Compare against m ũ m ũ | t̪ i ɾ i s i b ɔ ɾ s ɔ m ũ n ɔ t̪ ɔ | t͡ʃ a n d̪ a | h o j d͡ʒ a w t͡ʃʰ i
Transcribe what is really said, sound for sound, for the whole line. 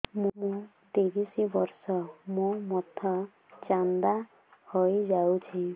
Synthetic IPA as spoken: m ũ m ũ | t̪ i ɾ i s i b ɔ ɾ s ɔ m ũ m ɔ t̪ʰ ɔ | t͡ʃ a n d̪ a | h o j d͡ʒ a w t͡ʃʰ i